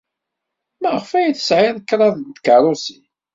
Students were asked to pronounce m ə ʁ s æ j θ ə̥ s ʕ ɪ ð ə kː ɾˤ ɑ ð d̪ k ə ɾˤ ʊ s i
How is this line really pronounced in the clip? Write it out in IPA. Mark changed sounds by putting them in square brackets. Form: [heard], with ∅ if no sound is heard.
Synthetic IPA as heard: m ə ʁ [f] æ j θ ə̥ s ʕ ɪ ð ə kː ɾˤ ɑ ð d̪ k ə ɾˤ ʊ s i